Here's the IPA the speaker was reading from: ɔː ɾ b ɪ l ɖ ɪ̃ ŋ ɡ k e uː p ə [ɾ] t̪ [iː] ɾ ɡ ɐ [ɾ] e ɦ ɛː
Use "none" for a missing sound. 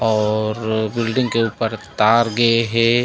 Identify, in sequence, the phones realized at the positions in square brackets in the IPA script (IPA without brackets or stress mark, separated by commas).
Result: ɾ, aː, none